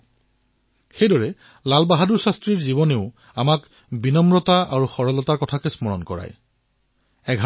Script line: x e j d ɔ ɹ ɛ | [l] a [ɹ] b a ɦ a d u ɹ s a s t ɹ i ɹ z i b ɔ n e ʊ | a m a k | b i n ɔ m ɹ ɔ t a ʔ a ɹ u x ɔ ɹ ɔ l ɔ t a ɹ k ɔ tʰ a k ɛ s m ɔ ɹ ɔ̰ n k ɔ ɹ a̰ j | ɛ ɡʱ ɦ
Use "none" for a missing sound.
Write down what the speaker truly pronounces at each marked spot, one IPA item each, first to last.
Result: l, l

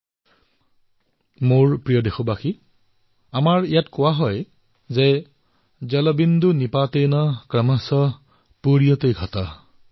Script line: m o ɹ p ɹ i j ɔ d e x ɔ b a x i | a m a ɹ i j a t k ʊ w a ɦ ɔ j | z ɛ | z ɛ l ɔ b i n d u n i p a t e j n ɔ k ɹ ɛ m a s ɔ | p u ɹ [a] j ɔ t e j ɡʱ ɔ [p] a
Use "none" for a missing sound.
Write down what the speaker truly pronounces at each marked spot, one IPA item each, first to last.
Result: i, t

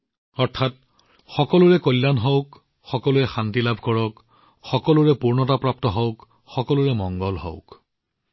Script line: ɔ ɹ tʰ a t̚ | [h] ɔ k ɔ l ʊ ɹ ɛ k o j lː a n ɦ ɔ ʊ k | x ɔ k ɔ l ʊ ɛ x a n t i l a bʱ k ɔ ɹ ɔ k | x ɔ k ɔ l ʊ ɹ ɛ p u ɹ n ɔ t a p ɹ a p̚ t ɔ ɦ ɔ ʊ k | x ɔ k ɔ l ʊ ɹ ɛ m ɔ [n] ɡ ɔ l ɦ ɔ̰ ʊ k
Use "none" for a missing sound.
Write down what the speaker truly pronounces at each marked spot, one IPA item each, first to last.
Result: x, ŋ

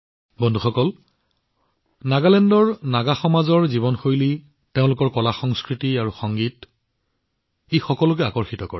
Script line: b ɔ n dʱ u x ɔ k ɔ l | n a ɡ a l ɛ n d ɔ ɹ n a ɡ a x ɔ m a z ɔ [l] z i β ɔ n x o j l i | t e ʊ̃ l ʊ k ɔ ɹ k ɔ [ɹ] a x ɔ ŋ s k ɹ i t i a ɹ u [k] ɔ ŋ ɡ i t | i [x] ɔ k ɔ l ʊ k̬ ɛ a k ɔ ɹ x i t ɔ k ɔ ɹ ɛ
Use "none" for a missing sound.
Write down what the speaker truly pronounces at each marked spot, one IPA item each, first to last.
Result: ɹ, l, x, x

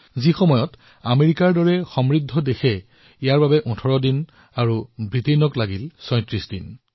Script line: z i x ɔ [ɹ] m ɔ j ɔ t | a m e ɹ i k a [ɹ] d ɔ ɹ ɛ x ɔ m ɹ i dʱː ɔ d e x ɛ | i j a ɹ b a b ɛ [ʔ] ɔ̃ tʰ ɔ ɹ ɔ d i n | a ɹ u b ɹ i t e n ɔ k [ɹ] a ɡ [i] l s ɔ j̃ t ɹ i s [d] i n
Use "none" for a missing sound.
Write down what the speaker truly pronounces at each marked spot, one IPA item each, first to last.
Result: none, ɹ, ʔ, l, i, d

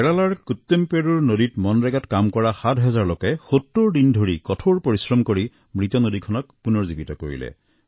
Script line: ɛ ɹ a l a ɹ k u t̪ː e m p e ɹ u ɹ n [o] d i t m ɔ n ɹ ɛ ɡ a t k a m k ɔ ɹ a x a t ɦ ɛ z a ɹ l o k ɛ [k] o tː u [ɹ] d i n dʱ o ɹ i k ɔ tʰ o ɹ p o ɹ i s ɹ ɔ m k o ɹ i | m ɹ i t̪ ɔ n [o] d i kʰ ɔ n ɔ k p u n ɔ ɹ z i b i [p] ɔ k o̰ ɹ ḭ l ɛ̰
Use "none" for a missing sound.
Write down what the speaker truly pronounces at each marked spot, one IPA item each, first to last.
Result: o, x, ɹ, o, t

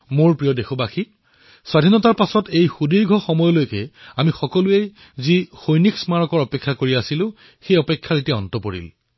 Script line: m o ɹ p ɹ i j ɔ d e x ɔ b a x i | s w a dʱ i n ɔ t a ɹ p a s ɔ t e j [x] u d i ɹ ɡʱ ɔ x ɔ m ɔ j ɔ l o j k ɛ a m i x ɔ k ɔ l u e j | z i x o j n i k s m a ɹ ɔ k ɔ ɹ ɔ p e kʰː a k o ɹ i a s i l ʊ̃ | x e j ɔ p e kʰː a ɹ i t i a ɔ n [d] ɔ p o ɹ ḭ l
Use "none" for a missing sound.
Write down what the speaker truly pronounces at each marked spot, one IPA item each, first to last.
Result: x, t

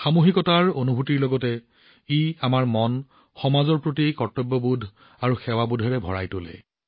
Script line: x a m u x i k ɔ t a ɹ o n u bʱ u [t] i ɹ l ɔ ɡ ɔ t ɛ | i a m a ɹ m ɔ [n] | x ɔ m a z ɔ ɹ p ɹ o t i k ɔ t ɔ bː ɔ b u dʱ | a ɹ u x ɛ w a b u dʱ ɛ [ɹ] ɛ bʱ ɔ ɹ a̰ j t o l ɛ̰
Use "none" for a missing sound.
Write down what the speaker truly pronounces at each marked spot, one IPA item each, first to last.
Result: t, n, ɹ

